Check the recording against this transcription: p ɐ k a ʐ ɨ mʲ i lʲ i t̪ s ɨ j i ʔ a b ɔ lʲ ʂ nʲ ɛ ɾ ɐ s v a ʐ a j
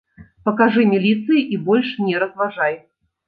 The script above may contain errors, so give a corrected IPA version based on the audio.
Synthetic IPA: p ɐ k a ʐ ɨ mʲ i lʲ i t̪ s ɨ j i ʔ i b ɔ lʲ ʂ nʲ ɛ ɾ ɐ z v a ʐ a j